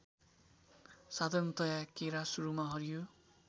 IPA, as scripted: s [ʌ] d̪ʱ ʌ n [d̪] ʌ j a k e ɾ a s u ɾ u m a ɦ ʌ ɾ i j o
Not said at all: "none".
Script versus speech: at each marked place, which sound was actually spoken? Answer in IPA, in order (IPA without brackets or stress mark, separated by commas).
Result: a, t̪